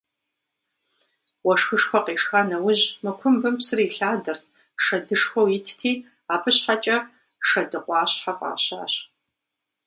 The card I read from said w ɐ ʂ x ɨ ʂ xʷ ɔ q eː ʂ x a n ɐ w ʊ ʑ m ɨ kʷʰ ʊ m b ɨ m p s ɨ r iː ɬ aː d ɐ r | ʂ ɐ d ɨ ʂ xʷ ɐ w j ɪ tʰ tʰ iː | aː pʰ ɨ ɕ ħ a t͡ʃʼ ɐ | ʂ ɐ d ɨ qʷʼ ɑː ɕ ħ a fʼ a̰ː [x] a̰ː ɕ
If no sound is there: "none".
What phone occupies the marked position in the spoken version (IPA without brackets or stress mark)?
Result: ɕ